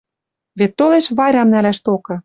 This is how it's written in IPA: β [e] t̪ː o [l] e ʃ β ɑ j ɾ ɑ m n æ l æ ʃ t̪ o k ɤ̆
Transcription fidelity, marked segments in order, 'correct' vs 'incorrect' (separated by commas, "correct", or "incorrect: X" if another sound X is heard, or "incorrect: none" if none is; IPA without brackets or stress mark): correct, correct